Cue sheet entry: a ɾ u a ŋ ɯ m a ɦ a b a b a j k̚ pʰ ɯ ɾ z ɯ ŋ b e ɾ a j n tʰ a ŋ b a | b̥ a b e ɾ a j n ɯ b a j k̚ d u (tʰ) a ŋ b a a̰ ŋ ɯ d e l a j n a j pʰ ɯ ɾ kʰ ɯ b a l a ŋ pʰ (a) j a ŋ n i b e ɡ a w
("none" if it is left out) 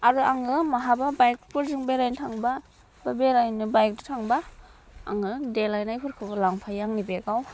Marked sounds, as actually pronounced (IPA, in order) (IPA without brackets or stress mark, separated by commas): tʰ, a